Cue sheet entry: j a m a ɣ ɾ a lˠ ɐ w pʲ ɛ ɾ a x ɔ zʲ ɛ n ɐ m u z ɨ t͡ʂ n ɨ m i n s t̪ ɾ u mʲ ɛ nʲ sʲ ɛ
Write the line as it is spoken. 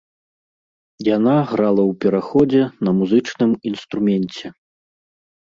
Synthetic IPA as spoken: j a n a ɣ ɾ a lˠ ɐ w pʲ ɛ ɾ a x ɔ d͡zʲ ɛ n ɐ m u z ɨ t͡ʂ n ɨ m i n s t̪ ɾ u mʲ ɛ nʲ t͡sʲ ɛ